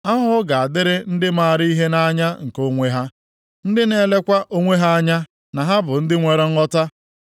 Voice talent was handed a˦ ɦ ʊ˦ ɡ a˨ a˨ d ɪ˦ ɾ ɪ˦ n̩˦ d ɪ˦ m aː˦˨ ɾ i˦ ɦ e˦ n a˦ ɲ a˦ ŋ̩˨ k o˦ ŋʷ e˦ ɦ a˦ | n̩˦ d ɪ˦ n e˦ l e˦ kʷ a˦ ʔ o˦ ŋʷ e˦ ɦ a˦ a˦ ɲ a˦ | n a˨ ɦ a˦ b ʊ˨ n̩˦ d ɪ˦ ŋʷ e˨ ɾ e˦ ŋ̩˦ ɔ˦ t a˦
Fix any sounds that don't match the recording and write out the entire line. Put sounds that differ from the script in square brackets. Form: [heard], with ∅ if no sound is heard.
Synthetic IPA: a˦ ɦ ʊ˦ ɡ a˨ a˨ d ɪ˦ ɾ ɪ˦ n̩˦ d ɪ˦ m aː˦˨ ɾ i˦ ɦ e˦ n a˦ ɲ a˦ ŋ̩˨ k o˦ ŋʷ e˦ ɦ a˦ | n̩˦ d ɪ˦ n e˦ l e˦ kʷ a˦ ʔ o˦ ŋʷ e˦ ɦ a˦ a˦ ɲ a˦ | n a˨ ɦ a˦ b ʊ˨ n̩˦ d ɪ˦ ŋʷ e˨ ɾ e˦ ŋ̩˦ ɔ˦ t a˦